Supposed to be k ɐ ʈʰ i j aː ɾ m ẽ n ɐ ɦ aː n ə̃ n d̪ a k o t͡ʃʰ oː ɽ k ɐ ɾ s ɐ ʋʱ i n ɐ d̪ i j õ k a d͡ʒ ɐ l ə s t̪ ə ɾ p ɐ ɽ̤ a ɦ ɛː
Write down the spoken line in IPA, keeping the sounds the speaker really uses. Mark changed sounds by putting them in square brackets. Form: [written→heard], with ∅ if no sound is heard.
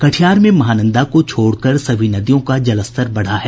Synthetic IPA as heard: k ɐ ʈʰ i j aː ɾ m ẽ [n→m] ɐ ɦ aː n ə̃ n d̪ a k o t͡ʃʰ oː ɽ k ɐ ɾ s ɐ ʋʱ i n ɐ d̪ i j õ k a d͡ʒ ɐ l ə s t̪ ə ɾ [p→b] ɐ ɽ̤ a ɦ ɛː